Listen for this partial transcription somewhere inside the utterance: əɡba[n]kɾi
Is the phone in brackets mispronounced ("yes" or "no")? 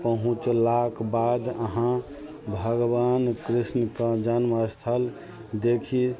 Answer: no